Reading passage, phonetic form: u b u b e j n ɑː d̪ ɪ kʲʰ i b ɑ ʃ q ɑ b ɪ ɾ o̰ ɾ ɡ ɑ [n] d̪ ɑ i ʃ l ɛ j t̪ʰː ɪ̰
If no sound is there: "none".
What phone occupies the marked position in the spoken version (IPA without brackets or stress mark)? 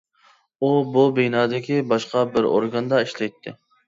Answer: n